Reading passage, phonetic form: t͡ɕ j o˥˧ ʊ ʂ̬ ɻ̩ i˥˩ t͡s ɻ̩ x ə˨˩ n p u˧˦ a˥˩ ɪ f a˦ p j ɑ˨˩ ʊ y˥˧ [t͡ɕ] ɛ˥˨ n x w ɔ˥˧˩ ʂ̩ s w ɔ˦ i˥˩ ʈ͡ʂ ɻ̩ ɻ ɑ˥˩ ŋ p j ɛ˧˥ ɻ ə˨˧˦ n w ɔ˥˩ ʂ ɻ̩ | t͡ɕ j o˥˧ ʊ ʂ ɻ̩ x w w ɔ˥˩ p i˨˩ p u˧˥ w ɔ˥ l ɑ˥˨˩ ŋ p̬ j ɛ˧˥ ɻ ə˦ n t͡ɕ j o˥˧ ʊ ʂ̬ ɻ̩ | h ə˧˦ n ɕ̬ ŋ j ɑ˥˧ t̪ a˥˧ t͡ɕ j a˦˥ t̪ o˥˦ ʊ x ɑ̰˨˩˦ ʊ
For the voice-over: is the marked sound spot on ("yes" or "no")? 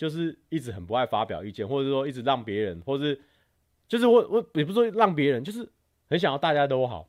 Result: yes